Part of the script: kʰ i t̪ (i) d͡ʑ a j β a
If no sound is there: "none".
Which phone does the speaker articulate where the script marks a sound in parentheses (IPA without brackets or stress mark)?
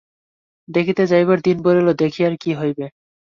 e